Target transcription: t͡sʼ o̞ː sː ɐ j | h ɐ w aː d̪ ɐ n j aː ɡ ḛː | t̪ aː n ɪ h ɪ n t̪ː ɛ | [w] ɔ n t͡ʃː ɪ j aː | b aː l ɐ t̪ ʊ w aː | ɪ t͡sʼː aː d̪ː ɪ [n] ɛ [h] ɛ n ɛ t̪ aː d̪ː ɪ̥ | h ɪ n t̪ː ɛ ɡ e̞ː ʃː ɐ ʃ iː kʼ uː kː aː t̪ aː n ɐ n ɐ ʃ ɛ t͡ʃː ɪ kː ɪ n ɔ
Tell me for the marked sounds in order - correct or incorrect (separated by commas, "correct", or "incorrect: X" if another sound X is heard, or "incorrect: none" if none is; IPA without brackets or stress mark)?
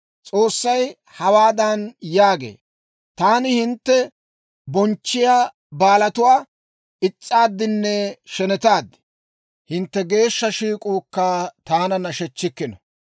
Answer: incorrect: b, incorrect: nː, incorrect: ʃ